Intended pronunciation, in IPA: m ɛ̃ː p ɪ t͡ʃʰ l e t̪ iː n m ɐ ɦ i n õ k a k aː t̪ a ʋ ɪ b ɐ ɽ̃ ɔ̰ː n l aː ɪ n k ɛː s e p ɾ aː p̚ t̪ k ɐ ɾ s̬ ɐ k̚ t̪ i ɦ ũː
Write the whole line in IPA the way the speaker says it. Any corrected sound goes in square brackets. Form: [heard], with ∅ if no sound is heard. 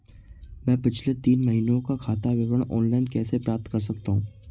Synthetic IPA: m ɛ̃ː p ɪ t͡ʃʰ l e t̪ iː n m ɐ ɦ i n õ k a [kʰ] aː t̪ a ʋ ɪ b [ə] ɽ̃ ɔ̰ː n l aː ɪ n k ɛː s e p ɾ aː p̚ t̪ k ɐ ɾ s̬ ɐ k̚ t̪ [a] ɦ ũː